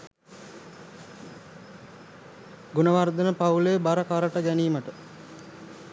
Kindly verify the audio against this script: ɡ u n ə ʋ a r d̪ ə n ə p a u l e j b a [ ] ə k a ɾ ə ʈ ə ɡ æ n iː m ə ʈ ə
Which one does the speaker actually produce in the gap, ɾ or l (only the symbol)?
ɾ